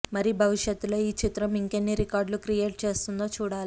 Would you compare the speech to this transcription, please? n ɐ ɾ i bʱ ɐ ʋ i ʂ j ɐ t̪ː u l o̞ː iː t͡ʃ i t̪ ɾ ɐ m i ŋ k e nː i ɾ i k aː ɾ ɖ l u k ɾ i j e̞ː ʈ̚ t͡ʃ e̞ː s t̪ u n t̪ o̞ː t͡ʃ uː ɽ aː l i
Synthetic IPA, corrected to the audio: m ɐ ɾ i bʱ ɐ ʋ i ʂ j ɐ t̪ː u l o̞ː iː t͡ʃ i t̪ ɾ ɐ m i ŋ k e nː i ɾ i k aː ɾ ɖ l u k ɾ i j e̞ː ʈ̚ t͡ʃ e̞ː s t̪ u n d̪ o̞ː t͡ʃ uː ɽ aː l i